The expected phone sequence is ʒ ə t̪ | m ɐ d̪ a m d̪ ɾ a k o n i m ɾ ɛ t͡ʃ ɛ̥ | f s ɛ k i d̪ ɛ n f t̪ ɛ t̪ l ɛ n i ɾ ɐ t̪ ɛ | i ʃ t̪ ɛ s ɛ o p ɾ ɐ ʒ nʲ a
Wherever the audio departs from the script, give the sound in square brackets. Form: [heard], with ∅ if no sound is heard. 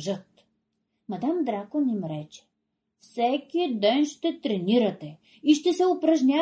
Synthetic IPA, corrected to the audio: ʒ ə t̪ | m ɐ d̪ a m d̪ ɾ a k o n i m ɾ ɛ t͡ʃ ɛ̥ | f s ɛ k i d̪ ɛ n [ʃ] t̪ ɛ t̪ [ɾ] ɛ n i ɾ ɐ t̪ ɛ | i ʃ t̪ ɛ s ɛ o p ɾ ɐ ʒ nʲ a